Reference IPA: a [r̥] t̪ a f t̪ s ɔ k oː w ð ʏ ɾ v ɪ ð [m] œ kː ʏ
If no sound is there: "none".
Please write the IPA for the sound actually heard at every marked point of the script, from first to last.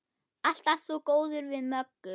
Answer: l̥, m

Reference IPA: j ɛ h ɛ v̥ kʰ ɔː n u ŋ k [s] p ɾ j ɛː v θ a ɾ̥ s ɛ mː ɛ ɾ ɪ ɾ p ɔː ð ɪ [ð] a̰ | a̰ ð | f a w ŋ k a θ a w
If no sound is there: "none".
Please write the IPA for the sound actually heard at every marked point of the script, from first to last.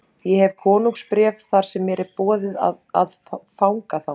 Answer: s, ð

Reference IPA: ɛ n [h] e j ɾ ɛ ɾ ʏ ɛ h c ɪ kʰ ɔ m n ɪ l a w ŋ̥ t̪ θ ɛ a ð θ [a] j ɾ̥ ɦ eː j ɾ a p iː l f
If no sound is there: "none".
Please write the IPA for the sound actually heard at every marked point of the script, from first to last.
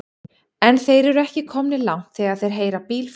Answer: θ, e

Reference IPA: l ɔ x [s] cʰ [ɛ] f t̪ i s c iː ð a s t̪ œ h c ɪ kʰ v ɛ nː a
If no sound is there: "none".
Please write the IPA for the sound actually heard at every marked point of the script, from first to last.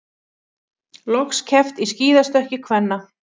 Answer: s, ɛ

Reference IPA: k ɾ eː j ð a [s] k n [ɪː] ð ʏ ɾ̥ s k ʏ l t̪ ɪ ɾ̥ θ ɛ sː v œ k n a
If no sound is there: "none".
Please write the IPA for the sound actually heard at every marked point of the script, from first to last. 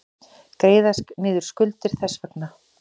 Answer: s, ɪː

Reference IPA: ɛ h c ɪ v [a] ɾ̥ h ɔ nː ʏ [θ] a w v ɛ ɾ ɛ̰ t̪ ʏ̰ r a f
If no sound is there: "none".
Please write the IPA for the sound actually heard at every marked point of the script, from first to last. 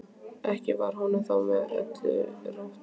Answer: a, θ

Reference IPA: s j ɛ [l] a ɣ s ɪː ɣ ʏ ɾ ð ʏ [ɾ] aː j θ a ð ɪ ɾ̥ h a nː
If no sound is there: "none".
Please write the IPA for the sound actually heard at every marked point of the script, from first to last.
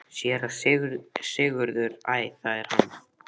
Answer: ɾ, ɾ

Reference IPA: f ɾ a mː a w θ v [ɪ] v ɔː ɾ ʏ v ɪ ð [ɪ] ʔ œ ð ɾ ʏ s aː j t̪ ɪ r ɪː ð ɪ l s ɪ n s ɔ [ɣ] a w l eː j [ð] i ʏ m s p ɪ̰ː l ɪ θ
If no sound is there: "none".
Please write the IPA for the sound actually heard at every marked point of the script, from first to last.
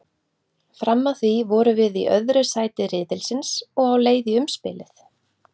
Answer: i, i, ɣ, ð

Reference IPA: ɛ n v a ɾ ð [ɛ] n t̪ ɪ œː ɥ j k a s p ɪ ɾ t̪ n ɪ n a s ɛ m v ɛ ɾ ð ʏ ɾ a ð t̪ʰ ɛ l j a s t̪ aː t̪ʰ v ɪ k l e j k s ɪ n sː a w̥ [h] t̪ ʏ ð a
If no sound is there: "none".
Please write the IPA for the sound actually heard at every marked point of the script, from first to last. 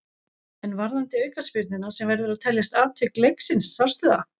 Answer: a, s

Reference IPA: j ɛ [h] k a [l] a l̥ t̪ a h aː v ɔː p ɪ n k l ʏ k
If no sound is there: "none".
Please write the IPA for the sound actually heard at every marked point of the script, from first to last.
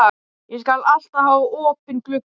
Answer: s, l

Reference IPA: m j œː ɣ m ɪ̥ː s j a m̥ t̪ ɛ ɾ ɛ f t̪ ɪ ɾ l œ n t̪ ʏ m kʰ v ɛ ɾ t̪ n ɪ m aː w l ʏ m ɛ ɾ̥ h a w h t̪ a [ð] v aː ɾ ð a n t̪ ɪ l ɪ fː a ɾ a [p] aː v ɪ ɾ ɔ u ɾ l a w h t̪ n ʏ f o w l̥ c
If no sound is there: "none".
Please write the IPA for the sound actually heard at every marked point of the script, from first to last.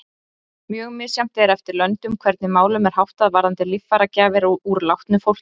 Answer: ð, c

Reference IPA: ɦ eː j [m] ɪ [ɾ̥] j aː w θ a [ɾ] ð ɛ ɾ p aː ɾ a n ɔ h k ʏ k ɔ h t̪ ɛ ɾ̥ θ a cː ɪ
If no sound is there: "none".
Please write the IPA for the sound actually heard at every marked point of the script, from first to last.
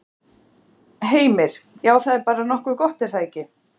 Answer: m, ɾ̥, none

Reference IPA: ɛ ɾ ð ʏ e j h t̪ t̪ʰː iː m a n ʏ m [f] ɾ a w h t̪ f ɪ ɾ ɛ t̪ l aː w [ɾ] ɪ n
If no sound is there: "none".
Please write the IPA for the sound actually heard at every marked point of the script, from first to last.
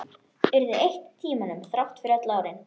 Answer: θ, ɾ

